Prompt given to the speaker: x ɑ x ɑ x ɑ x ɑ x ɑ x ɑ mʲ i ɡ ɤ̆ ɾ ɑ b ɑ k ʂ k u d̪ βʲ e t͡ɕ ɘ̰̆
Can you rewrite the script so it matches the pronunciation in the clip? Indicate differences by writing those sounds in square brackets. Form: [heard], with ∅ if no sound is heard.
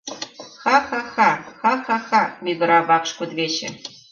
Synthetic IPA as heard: x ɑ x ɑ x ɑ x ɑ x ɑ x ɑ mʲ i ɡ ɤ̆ ɾ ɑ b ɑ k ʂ k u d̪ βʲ e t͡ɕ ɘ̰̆